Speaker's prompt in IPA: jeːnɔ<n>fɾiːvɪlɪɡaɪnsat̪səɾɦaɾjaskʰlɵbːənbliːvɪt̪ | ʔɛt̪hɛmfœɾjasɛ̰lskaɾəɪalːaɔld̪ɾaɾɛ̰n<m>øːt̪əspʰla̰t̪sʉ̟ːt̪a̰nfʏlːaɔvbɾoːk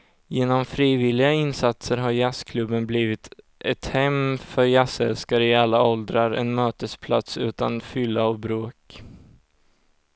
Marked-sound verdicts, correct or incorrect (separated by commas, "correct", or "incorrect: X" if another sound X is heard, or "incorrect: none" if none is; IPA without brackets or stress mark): incorrect: m, correct